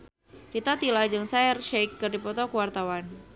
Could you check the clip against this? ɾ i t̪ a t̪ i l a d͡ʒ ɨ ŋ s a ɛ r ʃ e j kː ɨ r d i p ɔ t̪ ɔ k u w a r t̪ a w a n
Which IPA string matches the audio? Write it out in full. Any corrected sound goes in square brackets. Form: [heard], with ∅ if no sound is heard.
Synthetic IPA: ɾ i t̪ a t̪ i l a d͡ʒ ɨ ŋ s a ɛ r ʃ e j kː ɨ r d i p ɔ t̪ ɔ k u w a r t̪ a w a n